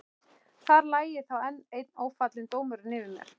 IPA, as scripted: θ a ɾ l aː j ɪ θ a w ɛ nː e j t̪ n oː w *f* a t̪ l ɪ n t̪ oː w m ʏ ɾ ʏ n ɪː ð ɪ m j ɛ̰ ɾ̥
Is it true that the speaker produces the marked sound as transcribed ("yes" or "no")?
yes